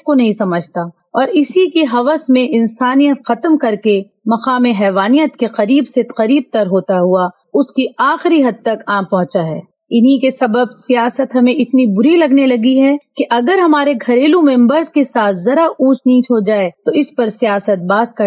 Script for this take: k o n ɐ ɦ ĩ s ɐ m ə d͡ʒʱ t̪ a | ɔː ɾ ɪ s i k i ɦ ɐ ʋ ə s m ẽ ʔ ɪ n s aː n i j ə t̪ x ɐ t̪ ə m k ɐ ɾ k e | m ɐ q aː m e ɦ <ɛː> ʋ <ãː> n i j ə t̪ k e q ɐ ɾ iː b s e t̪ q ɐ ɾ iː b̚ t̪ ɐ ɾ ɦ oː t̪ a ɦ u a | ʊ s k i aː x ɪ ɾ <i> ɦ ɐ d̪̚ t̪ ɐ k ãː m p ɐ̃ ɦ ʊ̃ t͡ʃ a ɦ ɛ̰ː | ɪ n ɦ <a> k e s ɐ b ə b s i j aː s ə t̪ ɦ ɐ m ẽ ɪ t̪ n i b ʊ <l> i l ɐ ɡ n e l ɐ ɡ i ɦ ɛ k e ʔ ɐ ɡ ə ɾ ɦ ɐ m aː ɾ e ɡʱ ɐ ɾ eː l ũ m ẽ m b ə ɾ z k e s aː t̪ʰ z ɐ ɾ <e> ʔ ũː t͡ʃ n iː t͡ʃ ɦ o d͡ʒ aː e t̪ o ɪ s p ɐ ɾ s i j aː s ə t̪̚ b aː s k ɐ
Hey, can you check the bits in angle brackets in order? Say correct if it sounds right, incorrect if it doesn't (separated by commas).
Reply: correct, incorrect, correct, incorrect, incorrect, incorrect